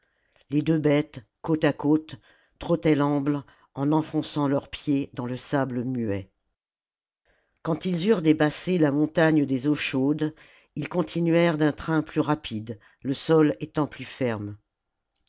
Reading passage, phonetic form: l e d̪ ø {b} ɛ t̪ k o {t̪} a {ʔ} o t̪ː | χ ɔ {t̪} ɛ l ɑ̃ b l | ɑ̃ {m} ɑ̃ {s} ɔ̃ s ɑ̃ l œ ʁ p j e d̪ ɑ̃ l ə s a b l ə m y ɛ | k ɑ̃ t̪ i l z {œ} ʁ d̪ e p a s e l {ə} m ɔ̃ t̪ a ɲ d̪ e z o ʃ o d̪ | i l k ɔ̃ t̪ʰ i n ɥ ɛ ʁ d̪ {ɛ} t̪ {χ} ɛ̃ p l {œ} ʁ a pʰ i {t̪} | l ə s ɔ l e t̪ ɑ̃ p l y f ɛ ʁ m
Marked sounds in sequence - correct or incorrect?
correct, correct, incorrect: k, correct, incorrect: n, incorrect: f, incorrect: y, incorrect: a, incorrect: ɛ̃, correct, incorrect: y, incorrect: d̪

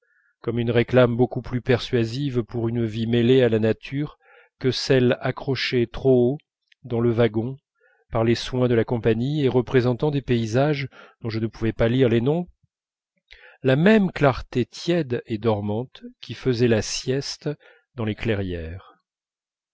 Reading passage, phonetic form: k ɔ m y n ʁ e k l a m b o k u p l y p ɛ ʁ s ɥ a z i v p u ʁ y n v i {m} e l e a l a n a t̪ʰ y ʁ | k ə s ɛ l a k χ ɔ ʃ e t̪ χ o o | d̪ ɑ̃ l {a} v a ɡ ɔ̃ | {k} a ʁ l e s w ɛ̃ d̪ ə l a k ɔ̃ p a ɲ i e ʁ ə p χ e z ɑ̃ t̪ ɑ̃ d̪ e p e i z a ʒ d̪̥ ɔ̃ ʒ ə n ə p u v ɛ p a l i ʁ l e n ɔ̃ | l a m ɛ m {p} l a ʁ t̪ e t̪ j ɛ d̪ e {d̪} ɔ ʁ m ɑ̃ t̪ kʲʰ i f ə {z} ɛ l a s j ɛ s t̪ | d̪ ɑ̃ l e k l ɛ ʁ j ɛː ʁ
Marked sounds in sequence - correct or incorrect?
correct, incorrect: ə, incorrect: p, incorrect: k, correct, correct

